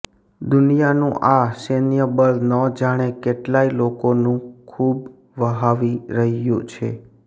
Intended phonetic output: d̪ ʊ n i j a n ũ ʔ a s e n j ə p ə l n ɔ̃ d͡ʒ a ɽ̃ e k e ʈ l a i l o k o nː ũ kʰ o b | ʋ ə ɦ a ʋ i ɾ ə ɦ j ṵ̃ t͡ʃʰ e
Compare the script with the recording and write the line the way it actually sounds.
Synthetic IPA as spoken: d̪ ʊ n i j a n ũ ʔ a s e n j ə b ə l n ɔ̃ d͡ʒ a ɽ̃ e k e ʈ l a i l o k o n ũ kʰ u b | ʋ ə ɦ a ʋ i ɾ ə ɦ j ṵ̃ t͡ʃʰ e